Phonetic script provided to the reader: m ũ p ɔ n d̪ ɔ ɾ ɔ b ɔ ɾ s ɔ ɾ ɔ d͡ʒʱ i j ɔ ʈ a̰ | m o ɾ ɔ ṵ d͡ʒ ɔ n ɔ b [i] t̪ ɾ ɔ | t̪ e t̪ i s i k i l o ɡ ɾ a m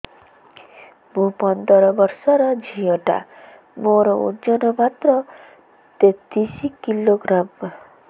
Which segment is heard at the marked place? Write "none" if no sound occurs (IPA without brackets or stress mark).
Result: a